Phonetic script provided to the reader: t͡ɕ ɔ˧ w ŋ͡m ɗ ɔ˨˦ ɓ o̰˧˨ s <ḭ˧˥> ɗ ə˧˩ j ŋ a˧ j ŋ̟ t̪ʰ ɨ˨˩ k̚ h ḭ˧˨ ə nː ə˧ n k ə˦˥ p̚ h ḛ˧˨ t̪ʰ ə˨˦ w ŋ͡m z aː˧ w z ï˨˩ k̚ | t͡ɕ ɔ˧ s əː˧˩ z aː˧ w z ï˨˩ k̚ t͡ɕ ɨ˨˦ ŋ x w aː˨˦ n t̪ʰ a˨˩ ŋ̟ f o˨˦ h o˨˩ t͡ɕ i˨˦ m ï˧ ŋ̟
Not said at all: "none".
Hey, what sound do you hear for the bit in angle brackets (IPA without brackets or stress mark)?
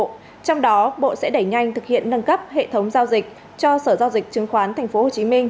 ɛ̰˧˥